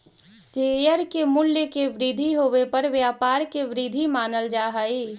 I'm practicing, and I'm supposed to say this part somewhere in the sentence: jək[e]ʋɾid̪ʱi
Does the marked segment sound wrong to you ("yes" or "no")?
no